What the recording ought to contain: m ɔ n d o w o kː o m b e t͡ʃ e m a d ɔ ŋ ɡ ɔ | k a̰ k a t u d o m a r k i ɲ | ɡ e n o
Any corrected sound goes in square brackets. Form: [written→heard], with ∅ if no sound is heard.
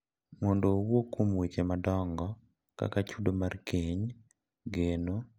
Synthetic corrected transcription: m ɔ n d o w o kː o m [b→w] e t͡ʃ e m a d ɔ ŋ ɡ ɔ | k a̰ k a [t→t͡ʃ] u d o m a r k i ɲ | ɡ e n o